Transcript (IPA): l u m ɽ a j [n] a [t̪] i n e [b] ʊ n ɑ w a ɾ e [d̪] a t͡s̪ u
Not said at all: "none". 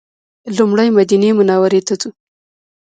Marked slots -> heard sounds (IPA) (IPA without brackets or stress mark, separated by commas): m, d̪, m, t̪